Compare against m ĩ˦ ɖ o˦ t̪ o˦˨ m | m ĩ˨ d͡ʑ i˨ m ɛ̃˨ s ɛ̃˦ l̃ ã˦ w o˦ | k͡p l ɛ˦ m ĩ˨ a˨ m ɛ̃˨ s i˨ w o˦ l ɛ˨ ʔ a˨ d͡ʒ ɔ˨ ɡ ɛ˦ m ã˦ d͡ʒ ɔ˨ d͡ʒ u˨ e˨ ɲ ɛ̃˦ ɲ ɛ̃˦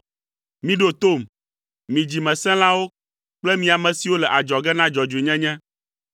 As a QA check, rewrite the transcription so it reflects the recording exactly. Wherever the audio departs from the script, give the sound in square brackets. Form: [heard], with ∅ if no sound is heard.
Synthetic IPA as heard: m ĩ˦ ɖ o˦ t̪ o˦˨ m | m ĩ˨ d͡ʑ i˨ m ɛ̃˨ s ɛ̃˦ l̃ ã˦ w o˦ | k͡p l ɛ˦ m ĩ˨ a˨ m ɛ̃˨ s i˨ w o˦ l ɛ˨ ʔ a˨ d͡ʒ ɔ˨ ɡ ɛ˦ [n] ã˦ d͡ʒ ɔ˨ d͡ʒ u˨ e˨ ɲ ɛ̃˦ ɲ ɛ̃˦

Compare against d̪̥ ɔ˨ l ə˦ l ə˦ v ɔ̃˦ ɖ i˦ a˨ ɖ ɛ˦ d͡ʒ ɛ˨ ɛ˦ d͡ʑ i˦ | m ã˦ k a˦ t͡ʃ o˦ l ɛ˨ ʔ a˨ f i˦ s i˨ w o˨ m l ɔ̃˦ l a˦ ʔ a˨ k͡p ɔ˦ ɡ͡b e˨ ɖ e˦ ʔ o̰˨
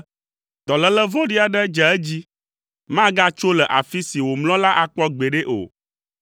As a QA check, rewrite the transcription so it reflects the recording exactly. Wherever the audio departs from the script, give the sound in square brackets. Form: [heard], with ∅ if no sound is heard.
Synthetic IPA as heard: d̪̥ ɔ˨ l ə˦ l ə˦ v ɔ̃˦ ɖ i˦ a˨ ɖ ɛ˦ d͡ʒ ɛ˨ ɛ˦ d͡ʑ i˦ | m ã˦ [ɡ] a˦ t͡ʃ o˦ l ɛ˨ ʔ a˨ f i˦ s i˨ w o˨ m l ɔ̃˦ l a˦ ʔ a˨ k͡p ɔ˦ ɡ͡b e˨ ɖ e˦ ʔ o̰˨

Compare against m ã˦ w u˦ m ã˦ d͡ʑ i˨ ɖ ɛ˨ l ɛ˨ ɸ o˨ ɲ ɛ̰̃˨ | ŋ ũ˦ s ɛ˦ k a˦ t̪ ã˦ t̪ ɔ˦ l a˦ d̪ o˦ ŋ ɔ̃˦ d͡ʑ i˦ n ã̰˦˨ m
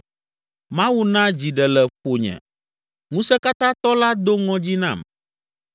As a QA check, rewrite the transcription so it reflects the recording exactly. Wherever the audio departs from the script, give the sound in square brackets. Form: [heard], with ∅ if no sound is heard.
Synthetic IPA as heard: m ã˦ w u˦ [n] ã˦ d͡ʑ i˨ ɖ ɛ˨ l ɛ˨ ɸ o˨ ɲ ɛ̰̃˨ | ŋ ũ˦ s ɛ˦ k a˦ t̪ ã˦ t̪ ɔ˦ l a˦ d̪ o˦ ŋ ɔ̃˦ d͡ʑ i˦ n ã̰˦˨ m

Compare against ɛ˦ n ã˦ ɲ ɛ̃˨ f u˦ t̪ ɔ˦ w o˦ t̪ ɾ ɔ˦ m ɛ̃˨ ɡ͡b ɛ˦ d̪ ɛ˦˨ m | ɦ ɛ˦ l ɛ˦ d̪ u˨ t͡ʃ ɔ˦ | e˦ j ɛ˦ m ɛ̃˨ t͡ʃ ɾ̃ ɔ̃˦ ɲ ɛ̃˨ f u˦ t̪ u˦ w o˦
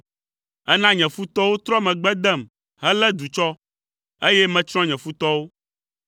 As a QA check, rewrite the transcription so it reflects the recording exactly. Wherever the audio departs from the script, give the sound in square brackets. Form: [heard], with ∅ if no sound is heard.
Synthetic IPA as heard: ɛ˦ n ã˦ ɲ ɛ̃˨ f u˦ t̪ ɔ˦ w o˦ t̪ ɾ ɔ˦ m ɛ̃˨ ɡ͡b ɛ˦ d̪ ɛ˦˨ m | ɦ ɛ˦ l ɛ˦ d̪ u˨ t͡ʃ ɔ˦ | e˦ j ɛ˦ m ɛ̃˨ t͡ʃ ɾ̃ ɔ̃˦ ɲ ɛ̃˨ f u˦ t̪ [ɔ˦] w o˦

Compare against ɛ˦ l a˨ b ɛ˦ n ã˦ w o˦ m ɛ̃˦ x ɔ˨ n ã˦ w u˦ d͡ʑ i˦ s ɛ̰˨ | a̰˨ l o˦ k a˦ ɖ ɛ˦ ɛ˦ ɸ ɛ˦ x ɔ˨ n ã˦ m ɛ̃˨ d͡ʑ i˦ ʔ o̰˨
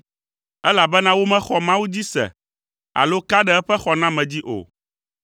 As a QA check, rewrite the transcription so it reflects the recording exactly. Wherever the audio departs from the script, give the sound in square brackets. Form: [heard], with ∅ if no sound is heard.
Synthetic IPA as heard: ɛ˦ l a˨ b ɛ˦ n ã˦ w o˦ m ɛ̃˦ x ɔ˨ [m] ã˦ w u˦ d͡ʑ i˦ s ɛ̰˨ | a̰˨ l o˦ k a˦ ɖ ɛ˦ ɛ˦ ɸ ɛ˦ x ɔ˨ n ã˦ m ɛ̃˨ d͡ʑ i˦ ʔ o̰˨

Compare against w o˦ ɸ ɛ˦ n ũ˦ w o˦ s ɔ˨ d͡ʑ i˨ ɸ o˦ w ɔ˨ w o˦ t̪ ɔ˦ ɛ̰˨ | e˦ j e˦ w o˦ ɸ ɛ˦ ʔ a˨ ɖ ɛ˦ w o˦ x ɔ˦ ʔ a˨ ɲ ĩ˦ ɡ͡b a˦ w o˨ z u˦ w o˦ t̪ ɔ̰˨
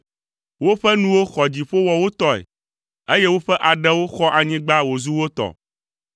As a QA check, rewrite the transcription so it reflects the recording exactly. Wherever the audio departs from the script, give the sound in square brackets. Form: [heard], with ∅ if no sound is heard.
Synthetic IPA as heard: w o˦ ɸ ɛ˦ n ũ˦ w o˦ [x] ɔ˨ d͡ʑ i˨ ɸ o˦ w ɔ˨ w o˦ t̪ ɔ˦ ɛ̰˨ | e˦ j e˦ w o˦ ɸ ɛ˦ ʔ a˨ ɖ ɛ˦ w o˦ x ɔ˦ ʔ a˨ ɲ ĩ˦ ɡ͡b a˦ w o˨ z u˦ w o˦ t̪ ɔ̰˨

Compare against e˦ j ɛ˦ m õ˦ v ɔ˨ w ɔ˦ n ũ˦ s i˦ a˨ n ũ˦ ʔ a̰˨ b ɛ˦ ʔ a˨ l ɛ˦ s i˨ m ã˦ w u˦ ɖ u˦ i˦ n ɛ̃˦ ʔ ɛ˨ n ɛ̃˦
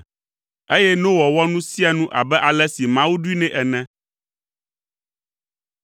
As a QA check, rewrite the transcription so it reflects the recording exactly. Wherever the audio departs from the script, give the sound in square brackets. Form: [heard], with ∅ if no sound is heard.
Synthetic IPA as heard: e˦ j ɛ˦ [n] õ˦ [w] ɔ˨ w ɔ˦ n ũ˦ s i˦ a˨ n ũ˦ ʔ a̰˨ b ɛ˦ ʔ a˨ l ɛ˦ s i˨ m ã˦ w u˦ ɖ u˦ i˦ n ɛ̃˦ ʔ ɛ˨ n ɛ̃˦

